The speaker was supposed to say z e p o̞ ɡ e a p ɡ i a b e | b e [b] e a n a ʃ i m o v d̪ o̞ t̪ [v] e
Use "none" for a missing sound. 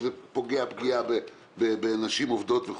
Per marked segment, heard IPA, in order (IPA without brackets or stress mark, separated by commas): b, v